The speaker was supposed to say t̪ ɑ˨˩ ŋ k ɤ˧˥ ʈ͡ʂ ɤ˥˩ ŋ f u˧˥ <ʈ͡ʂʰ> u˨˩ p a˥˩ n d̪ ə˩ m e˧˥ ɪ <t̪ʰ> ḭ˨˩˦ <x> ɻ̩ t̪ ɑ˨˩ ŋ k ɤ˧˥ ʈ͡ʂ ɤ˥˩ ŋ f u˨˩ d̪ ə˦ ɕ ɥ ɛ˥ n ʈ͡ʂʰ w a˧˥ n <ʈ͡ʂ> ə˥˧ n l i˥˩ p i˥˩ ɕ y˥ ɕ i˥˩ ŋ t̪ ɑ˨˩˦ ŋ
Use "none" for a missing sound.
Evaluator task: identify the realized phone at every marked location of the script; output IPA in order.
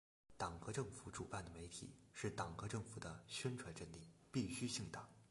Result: ʈ͡ʂ, t̪ʰ, ʂ, ʈ͡ʂ

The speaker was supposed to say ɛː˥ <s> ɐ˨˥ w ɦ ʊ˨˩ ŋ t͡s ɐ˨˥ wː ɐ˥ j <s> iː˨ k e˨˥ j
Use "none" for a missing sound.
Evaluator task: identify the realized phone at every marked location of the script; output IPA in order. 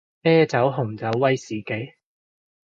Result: t͡s, s

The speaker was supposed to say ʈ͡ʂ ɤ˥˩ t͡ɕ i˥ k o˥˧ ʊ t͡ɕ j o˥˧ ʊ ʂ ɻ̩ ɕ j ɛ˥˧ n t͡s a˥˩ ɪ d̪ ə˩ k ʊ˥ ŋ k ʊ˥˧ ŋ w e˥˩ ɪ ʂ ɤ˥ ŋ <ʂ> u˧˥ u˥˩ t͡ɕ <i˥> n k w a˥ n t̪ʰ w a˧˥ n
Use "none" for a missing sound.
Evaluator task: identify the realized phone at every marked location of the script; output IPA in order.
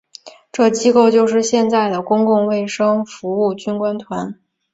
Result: f, y˥

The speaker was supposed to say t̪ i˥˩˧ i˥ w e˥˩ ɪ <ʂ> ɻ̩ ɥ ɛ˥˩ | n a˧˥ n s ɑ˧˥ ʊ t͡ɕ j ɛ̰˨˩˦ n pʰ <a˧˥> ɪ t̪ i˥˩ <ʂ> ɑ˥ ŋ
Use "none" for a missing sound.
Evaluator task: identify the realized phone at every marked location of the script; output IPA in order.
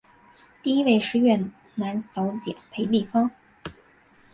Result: ʂ, e˧˥, f

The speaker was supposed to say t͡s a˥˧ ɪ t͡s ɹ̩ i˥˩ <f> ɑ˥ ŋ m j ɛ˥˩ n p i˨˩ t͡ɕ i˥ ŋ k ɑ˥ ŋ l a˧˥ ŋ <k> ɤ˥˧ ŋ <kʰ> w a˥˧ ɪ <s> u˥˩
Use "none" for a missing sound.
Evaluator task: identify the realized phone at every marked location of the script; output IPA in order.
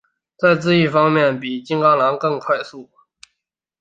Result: f, k, kʰ, s

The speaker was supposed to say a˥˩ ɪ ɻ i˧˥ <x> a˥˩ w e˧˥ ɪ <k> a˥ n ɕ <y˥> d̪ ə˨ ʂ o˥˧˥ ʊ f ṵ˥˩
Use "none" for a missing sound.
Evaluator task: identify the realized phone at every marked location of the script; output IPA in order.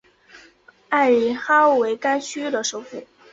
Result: x, k, y˥

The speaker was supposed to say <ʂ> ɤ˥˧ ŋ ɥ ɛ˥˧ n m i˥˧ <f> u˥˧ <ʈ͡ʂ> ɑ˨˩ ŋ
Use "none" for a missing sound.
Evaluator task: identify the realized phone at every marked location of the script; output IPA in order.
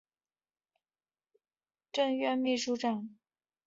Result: ʈ͡ʂ, ʂ, ʈ͡ʂ

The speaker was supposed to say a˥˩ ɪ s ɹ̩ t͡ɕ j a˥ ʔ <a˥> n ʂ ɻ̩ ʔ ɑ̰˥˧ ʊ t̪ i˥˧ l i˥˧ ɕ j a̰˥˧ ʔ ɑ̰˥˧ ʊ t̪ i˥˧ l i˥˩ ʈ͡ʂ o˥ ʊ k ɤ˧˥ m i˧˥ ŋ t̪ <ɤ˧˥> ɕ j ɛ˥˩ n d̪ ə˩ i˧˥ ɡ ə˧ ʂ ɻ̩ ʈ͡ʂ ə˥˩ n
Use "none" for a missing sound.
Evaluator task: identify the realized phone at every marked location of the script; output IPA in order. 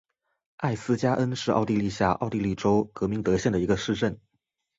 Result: ə˥, ɤ˧˥

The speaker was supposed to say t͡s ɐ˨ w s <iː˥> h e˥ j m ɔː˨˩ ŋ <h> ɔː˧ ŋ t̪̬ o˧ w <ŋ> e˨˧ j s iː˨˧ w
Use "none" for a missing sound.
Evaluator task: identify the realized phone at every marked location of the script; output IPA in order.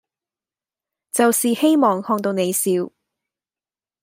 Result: iː˨, h, n

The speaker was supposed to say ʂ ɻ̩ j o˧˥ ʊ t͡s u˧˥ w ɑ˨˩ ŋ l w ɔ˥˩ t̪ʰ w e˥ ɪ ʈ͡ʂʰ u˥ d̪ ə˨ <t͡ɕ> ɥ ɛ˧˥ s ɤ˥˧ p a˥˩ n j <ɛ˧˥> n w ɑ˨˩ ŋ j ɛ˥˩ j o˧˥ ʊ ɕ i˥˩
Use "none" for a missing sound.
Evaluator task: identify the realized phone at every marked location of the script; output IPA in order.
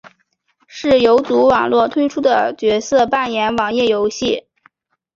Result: t͡ɕ, ɛ˧˥

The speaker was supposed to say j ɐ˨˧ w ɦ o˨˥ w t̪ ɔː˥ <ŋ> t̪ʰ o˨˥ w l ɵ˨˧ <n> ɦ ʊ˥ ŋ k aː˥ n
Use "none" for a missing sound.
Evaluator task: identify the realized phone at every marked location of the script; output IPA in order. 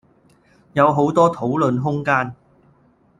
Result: none, n

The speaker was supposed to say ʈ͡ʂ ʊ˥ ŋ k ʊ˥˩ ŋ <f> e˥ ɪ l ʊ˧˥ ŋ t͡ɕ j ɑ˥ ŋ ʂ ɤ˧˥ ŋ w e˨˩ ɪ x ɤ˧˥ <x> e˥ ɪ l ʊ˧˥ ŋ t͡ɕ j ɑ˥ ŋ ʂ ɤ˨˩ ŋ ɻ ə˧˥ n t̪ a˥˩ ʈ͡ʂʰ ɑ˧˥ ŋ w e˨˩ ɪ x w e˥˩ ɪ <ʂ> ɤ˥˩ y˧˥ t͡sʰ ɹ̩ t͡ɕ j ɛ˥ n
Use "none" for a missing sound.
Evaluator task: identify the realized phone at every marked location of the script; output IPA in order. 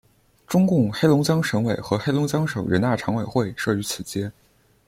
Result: x, x, ʂ

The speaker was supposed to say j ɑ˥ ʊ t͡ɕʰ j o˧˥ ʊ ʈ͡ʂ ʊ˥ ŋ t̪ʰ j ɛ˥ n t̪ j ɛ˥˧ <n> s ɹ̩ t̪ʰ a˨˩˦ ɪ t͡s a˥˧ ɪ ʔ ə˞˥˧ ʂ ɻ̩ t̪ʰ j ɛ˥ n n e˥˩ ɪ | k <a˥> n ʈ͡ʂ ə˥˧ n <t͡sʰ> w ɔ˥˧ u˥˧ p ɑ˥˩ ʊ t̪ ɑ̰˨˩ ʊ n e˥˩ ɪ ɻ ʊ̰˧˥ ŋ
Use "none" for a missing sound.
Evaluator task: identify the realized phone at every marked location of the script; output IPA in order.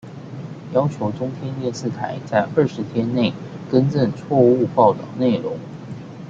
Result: n, ə˥, t͡sʰ

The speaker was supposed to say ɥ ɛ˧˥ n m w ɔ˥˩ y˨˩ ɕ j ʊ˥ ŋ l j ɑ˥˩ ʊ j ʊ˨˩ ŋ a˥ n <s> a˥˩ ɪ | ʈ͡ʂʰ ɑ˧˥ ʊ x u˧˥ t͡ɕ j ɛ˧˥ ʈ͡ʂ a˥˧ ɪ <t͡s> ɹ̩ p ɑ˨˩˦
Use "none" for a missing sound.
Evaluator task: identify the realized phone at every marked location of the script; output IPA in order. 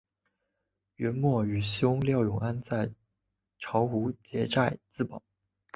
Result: t͡s, t͡s

